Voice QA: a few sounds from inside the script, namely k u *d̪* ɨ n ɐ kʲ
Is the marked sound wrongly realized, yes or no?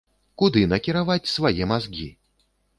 no